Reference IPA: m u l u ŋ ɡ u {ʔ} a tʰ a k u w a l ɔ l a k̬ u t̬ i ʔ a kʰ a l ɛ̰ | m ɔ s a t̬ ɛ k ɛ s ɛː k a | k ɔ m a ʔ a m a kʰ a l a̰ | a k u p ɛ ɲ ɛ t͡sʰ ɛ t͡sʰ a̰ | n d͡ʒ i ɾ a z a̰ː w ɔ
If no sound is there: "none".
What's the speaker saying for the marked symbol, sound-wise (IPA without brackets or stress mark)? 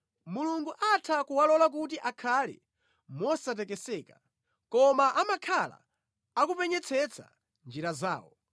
ʔ